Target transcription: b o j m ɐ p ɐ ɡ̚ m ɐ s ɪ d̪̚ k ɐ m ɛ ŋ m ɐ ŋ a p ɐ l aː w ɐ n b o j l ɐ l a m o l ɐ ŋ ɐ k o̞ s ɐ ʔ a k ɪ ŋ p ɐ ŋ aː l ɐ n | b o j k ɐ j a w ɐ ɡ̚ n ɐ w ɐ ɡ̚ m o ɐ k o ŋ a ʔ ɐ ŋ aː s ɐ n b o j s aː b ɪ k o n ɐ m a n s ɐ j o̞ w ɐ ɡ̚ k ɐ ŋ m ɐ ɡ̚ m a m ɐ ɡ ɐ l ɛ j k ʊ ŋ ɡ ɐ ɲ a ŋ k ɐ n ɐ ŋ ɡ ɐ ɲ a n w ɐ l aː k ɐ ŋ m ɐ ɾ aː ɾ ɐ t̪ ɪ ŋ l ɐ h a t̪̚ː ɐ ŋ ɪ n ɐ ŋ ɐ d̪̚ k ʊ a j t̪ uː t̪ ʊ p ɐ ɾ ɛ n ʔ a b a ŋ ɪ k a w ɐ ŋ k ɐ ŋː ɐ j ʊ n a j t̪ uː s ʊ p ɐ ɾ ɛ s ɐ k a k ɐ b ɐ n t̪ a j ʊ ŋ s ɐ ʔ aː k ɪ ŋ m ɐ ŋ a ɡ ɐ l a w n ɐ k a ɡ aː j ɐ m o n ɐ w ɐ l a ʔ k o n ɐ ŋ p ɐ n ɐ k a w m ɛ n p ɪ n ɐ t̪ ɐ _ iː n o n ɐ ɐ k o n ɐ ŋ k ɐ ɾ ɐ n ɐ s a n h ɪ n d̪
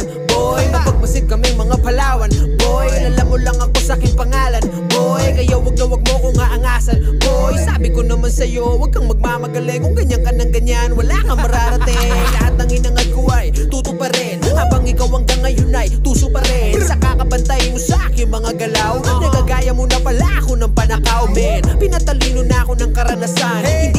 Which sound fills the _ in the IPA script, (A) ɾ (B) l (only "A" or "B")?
B